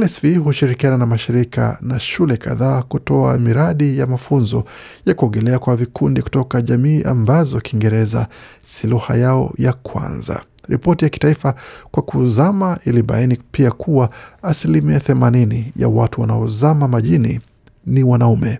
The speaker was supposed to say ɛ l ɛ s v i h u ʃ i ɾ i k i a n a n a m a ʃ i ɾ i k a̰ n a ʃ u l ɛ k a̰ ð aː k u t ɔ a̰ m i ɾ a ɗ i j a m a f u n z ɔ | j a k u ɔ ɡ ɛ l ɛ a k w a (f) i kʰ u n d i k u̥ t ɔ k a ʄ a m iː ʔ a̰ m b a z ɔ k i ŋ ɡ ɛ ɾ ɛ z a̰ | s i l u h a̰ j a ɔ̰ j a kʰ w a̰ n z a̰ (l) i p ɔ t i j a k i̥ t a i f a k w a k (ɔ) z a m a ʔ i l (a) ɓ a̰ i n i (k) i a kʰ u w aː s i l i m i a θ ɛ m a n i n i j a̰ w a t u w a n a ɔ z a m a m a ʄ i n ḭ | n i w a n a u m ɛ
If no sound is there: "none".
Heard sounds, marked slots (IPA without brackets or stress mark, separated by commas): v, ɾ, u, i, p